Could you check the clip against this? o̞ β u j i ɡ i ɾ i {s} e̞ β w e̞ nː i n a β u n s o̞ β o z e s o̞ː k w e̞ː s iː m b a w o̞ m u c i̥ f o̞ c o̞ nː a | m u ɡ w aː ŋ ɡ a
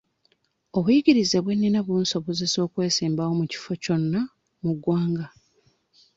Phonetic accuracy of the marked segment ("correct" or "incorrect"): incorrect